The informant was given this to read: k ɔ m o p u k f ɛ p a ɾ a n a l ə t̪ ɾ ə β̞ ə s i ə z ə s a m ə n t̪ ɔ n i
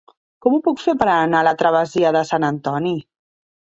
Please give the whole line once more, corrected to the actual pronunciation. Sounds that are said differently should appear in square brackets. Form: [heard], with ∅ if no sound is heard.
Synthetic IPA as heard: k ɔ m [u] p u k f [e] p [ə] ɾ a n a l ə t̪ ɾ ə β̞ ə [z] i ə [ð] ə s a [n] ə n t̪ ɔ n i

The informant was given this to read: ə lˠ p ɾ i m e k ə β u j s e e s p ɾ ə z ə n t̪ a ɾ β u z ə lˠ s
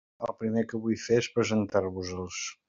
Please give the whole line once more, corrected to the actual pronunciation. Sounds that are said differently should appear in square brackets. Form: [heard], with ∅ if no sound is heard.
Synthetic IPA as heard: ə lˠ p ɾ i m e k ə β u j [f] e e s p ɾ ə z ə n t̪ a ɾ β u z ə lˠ s

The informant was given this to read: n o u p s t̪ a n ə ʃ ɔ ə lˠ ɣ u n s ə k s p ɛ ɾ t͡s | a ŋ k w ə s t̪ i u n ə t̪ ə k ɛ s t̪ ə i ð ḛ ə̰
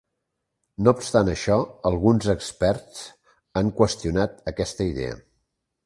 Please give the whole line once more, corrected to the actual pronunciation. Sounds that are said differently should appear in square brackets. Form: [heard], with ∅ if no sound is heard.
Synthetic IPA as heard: n o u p s t̪ a n ə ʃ ɔ ə lˠ ɣ u n [z] ə k s p ɛ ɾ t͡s | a ŋ k w ə s t̪ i u n [a] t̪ ə k ɛ s t̪ ə i ð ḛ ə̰

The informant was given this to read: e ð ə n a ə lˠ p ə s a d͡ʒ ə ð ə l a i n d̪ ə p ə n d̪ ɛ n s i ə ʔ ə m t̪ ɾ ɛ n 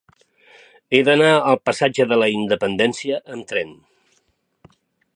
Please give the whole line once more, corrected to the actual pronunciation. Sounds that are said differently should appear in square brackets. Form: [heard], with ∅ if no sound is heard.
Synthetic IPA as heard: e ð ə n a ə lˠ p ə s a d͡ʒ ə ð ə l [ə] i n d̪ ə p ə n d̪ ɛ n s i ə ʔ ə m t̪ ɾ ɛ n

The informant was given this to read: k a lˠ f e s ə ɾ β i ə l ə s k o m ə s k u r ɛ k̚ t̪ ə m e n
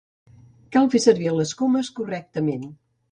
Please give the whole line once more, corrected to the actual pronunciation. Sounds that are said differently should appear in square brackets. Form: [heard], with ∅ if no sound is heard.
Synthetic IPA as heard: k a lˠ f e s ə ɾ β i ə l ə s k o m ə s k u r ɛ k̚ t̪ ə m e n

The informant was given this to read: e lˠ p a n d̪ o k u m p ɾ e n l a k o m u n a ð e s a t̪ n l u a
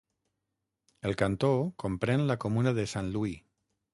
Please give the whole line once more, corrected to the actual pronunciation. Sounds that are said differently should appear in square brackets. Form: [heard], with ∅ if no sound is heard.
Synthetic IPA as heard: e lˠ [k] a n [t̪] o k [o] m p ɾ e n l a k o m u n a ð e s a [∅] n l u [i]

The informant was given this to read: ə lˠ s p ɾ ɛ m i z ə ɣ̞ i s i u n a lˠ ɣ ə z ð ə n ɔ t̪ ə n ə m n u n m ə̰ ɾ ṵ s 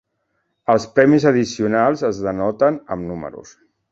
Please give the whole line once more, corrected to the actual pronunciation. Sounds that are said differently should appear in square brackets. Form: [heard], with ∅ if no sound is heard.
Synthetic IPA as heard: ə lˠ s p ɾ ɛ m i z ə [ð̞] i s i u n a lˠ [z] ə z ð ə n ɔ t̪ ə n ə m n u [∅] m ə̰ ɾ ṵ s

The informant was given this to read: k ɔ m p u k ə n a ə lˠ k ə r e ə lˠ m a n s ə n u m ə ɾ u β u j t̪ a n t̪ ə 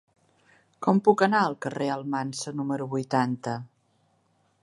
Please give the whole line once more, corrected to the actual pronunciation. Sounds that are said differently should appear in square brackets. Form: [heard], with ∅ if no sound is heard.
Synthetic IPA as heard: k ɔ m p u k ə n a ə lˠ k ə r e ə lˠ m a n s ə n u m ə ɾ u β u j t̪ a n t̪ ə

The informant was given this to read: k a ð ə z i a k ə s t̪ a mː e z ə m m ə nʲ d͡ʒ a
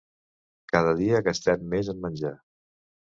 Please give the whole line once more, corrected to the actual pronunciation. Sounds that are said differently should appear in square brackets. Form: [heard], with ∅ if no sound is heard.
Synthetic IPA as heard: k a ð ə [ð] i [ə] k ə s t̪ [ɛ] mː e z ə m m ə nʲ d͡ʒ a

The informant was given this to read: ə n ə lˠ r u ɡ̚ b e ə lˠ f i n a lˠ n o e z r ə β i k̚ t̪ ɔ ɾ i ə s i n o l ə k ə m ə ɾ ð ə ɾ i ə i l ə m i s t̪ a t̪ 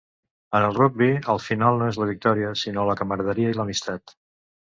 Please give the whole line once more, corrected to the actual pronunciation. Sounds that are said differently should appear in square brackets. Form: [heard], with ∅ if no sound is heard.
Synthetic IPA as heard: ə n ə lˠ r u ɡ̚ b [i] ə lˠ f i n a lˠ n o e z [l] ə β i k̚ t̪ ɔ ɾ i ə s i n o l ə k ə m ə ɾ ð ə ɾ i ə i l ə m i s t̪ a t̪

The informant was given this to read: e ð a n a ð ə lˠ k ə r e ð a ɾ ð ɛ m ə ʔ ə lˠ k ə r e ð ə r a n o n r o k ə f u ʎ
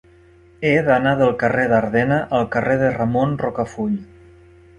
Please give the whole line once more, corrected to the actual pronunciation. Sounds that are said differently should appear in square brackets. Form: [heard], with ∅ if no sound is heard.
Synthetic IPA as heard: e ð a n a ð ə lˠ k ə r e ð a ɾ ð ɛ [n] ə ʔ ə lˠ k ə r e ð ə r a [m] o n r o k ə f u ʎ

